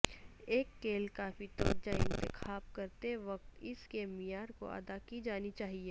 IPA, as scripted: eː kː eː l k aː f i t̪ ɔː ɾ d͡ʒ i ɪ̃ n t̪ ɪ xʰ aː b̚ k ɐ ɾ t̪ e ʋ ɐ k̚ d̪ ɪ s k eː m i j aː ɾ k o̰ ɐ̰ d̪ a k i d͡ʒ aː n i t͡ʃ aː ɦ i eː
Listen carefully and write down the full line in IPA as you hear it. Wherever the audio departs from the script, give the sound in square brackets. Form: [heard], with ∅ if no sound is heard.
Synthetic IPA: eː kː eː l k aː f i t̪ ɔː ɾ d͡ʒ [a] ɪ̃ n t̪ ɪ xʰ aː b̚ k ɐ ɾ t̪ e ʋ ɐ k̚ [t̪] ɪ s k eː m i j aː ɾ k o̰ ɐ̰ d̪ a k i d͡ʒ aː n i t͡ʃ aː ɦ i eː